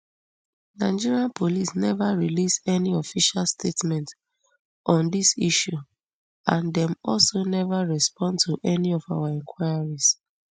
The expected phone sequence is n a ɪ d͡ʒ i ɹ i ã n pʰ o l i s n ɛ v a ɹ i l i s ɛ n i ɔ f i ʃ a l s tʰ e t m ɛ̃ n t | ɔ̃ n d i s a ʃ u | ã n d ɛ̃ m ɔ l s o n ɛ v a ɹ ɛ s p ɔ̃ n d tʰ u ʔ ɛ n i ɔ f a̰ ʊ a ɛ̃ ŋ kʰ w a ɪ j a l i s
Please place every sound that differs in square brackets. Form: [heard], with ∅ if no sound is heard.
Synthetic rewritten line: n a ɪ d͡ʒ i ɹ i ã n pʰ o l i s n ɛ v a ɹ i l i s ɛ n i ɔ f i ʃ a l s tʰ e t m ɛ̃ n t | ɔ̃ n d i s [i] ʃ u | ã n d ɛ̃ m ɔ l s o n ɛ v a ɹ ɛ s p ɔ̃ n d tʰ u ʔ ɛ n i ɔ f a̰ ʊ a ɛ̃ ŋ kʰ w a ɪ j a [ɹ] i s

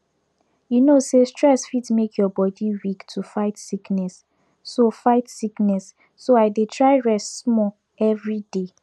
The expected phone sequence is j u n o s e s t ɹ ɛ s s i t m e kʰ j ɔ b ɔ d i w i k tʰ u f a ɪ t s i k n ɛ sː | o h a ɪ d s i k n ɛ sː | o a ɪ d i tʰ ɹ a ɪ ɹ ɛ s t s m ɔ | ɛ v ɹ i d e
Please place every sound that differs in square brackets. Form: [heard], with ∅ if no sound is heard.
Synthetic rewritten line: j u n o s e s t ɹ ɛ s [f] i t m e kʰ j ɔ b ɔ d i w i k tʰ u f a ɪ t s i k n ɛ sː | o [f] a ɪ [t] s i k n ɛ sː | o a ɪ d [e] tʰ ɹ a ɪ ɹ ɛ s t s m ɔ | ɛ v ɹ i d e

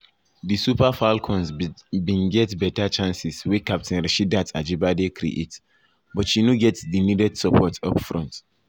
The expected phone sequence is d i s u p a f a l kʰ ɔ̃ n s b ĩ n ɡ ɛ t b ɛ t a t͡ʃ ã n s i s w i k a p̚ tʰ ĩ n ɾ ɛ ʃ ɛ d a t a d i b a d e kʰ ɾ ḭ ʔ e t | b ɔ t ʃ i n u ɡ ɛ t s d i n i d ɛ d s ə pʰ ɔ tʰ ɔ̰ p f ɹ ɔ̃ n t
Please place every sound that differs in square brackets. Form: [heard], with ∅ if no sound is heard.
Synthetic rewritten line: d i s u p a f a l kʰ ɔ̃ n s b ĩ n ɡ ɛ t b ɛ t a t͡ʃ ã n s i s w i k a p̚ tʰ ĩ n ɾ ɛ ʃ [i] d a t a [d͡ʒ] i b a d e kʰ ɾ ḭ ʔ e t | b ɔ t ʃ i n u ɡ ɛ t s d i n i d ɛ d s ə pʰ ɔ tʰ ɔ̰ p f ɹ ɔ̃ n t

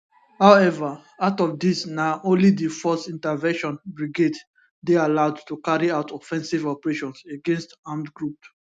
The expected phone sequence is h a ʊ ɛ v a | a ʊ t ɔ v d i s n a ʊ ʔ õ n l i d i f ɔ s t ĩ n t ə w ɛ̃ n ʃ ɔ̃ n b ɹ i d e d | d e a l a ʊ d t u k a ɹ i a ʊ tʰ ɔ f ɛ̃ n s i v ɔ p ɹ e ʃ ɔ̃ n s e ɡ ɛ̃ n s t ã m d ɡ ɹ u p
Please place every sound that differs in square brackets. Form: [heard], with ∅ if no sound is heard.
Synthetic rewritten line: h a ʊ ɛ v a | a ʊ t ɔ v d i s n a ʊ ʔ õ n l i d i f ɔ s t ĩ n t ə [v] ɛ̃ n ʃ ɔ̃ n b ɹ i [ɡ] e d | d e a l a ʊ d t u k a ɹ i a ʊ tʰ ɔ f ɛ̃ n s i v ɔ p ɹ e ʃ ɔ̃ n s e ɡ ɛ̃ n s t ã m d ɡ ɹ u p

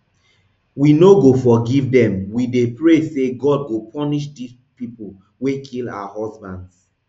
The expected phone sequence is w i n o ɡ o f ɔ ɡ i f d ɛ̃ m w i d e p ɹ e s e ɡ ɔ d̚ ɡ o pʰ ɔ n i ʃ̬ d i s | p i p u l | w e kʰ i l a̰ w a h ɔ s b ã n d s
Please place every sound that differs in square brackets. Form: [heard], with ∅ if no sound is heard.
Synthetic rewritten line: w i n o ɡ o f ɔ ɡ i [v] d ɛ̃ m w i d e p ɹ e s e ɡ ɔ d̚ ɡ o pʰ ɔ n i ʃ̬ d i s | p i p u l | w e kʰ i l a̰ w a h ɔ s b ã n d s

